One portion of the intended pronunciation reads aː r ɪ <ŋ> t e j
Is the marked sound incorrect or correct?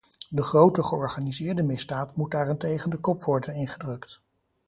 incorrect